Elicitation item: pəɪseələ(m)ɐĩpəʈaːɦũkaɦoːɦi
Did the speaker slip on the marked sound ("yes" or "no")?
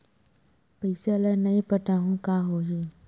yes